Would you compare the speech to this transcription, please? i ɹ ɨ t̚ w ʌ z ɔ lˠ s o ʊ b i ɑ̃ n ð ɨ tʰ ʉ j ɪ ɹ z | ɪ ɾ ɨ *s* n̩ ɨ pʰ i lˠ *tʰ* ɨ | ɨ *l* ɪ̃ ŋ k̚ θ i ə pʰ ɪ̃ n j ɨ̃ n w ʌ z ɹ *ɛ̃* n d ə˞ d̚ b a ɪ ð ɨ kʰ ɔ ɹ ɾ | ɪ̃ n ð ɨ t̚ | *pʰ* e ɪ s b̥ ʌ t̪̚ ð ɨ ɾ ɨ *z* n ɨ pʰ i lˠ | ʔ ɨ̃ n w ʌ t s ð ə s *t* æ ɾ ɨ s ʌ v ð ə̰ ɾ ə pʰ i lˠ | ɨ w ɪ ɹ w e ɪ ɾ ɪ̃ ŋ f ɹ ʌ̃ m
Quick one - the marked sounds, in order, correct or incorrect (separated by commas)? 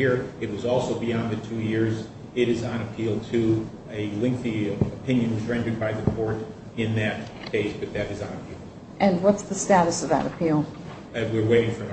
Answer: incorrect, correct, correct, correct, incorrect, correct, correct